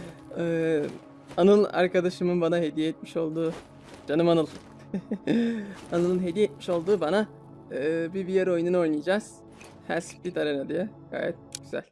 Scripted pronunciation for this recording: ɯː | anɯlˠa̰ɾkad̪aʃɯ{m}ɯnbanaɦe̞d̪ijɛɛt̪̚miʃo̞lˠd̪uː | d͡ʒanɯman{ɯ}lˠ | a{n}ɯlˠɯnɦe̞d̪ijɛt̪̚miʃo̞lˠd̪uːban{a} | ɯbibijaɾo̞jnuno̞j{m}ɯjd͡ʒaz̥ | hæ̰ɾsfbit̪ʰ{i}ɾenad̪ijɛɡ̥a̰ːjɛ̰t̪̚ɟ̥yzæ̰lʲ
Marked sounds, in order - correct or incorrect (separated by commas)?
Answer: correct, correct, correct, correct, incorrect, incorrect